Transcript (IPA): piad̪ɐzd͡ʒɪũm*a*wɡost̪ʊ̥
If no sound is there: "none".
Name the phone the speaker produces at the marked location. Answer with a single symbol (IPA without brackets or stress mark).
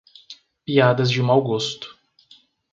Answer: a